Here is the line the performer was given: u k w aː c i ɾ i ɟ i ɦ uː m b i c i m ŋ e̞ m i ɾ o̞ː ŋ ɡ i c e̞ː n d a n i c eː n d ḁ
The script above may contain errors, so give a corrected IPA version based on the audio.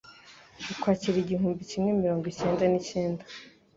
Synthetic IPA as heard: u k w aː c i ɾ i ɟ i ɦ uː m b i c i m ŋ e̞ m i ɾ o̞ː ŋ ɡ i c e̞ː n d a n i c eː n d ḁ